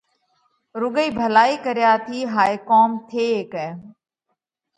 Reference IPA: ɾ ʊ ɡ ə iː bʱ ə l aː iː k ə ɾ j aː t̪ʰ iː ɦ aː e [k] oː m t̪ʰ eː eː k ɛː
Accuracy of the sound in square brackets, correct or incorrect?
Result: correct